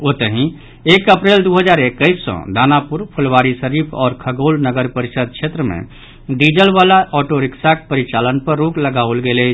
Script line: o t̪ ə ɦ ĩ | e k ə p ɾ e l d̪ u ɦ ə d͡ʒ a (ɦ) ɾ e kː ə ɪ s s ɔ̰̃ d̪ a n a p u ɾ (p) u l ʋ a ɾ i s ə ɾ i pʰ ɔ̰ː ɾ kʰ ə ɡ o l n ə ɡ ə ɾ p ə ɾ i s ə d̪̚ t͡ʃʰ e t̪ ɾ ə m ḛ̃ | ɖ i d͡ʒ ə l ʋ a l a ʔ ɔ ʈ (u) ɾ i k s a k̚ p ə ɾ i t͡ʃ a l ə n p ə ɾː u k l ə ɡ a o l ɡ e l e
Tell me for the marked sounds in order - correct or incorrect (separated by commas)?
incorrect, incorrect, incorrect